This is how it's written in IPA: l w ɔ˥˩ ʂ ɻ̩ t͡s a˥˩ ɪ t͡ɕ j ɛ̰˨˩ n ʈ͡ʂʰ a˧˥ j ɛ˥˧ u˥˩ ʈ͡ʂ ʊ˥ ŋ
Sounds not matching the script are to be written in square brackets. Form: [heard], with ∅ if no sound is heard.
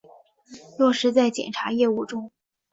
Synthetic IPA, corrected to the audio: l w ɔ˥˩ ʂ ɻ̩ t͡s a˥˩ ɪ t͡ɕ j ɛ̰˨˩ n ʈ͡ʂʰ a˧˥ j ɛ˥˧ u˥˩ ʈ͡ʂ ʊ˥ ŋ